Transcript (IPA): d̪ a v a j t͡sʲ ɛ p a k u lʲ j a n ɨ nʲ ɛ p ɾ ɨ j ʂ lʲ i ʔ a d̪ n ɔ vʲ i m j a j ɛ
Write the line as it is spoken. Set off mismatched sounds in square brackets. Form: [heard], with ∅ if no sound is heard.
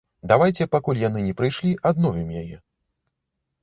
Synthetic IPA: d̪ a v a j t͡sʲ ɛ p a k u lʲ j a n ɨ nʲ ɛ p ɾ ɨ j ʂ lʲ i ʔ a d̪ n ɔ vʲ i m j a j ɛ